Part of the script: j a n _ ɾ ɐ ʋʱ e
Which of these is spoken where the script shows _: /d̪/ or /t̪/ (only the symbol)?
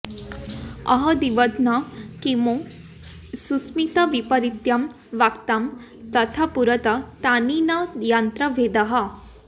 t̪